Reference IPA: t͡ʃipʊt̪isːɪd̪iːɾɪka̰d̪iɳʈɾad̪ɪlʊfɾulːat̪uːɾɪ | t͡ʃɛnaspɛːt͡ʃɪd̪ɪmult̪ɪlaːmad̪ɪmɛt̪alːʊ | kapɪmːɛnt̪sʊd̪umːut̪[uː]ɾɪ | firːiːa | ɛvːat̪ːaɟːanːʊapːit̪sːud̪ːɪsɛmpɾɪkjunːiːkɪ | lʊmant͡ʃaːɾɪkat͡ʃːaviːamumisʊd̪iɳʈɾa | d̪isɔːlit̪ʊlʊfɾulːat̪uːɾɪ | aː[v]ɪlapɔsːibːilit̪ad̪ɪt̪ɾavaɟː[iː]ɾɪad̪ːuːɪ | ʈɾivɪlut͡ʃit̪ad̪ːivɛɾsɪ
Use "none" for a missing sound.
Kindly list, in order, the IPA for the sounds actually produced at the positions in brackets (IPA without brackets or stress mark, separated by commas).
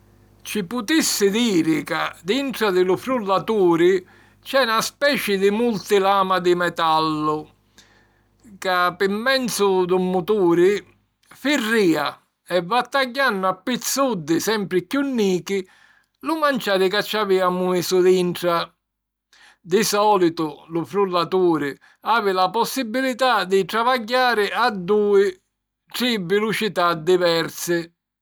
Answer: uː, v, aː